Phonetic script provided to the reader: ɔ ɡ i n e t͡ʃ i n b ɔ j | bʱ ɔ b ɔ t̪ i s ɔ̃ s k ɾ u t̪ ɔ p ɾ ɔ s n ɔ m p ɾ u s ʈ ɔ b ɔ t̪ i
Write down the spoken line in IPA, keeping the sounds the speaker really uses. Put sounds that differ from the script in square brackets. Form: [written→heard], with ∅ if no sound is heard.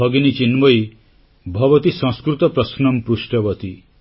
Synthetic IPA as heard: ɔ ɡ i n [e→i] t͡ʃ i n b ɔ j | bʱ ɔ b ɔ t̪ i s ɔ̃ s k ɾ u t̪ ɔ p ɾ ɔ s n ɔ m p ɾ u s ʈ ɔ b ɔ t̪ i